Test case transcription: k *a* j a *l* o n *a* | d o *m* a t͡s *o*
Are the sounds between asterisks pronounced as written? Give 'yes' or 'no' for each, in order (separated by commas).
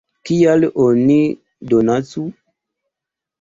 no, yes, no, no, no